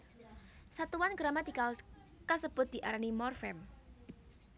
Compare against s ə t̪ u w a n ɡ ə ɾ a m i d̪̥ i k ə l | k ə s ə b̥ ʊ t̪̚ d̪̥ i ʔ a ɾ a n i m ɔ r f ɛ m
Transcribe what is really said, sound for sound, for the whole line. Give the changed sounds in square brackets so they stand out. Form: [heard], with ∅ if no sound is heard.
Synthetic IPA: s [a] t̪ u w a n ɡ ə ɾ a m [a] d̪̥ i k [a] l | k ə s ə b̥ ʊ t̪̚ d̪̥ i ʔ a ɾ a n i m ɔ r f ɛ m

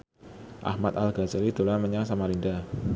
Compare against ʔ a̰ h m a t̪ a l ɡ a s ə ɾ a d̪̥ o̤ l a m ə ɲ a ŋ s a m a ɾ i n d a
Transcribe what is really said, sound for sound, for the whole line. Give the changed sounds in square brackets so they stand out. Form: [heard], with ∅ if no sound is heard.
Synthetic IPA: ʔ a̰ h m a t̪ a l ɡ a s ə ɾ [i] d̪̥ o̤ l a m ə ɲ a ŋ s a m a ɾ i n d a

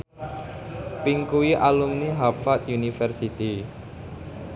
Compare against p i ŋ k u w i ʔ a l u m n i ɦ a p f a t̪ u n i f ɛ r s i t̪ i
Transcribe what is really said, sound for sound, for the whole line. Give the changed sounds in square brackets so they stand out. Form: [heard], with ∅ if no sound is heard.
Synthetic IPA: p i ŋ k u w i ʔ a l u m n i ɦ a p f a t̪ u n i f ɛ r s i t̪ i

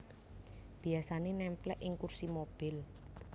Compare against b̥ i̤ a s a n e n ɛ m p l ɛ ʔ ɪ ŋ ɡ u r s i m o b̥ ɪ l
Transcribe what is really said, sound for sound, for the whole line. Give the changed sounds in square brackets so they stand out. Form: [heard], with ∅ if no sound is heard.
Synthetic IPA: b̥ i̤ a s a n e n ɛ m p l ɛ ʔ ɪ ŋ [k] u r s i m o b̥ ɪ l

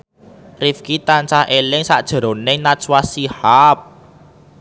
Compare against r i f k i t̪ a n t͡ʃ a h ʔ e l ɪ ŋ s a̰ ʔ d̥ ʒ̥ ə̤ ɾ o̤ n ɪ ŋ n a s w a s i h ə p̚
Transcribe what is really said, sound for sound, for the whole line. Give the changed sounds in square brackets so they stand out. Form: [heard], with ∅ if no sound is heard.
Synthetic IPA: r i f k i t̪ a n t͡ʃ a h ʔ e l ɪ ŋ s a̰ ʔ d̥ ʒ̥ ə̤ ɾ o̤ n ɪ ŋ n a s w a s i h [a] p̚

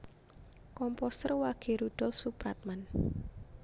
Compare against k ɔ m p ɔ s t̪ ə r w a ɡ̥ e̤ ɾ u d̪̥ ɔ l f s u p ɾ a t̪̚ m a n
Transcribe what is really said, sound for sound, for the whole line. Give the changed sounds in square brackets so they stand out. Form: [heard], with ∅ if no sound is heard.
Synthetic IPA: k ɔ m p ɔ s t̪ ə r w a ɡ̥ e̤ ɾ u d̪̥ ɔ l f s u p ɾ a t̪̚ m a n

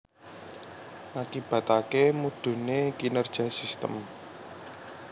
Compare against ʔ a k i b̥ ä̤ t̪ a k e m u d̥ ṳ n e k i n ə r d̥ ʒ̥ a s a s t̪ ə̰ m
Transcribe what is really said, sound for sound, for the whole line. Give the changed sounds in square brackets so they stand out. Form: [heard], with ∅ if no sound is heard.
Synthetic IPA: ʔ a k i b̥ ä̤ t̪ a k e m u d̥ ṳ n e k i n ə r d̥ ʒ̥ a s [i] s t̪ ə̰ m

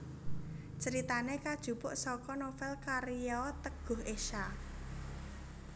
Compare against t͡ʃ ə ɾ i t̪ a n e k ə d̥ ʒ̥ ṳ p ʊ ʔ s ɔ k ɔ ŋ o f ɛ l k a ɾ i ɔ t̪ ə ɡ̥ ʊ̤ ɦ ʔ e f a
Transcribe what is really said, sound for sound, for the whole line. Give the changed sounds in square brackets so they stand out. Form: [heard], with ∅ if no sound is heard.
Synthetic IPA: t͡ʃ ə ɾ i t̪ a n e k [a] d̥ ʒ̥ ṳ p ʊ ʔ s ɔ k ɔ [n] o f ɛ l k a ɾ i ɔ t̪ ə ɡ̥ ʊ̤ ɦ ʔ e [ʃ] a

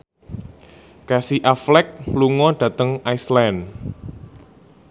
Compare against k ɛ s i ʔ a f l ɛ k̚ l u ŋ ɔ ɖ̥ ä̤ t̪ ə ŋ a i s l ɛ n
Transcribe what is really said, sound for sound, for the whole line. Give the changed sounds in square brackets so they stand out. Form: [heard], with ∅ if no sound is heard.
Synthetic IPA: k [a] s i ʔ a f l ɛ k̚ l u ŋ ɔ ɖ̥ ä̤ t̪ ə ŋ a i s l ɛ n

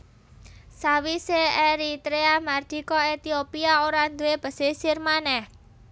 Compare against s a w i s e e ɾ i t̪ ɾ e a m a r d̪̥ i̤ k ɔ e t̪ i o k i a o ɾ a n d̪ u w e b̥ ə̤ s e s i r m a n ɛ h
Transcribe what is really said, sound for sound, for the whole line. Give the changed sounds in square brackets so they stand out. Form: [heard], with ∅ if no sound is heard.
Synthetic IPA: s a w i s e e ɾ i t̪ ɾ e a m a r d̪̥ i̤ k ɔ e t̪ i o [p] i a o ɾ a n d̪ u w e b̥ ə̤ s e s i r m a n ɛ h

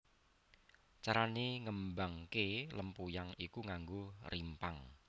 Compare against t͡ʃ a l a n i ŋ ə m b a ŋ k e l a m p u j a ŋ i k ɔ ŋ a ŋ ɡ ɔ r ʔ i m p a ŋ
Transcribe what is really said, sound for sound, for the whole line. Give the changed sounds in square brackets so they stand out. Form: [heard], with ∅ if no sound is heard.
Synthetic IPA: t͡ʃ a [ɾ] a n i ŋ ə m b a ŋ k e l [ə] m p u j a ŋ i k [u] ŋ a ŋ ɡ [o] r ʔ i m p a ŋ

